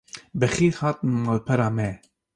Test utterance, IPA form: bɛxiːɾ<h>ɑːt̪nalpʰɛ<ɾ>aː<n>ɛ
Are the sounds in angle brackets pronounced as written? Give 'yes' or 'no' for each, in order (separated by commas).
yes, yes, no